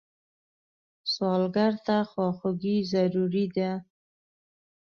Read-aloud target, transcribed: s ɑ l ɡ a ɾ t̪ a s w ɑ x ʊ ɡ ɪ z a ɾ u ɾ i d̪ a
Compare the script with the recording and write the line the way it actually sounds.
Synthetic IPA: s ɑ l ɡ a ɾ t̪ a x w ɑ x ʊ ɡ i z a ɾ u ɾ i d̪ a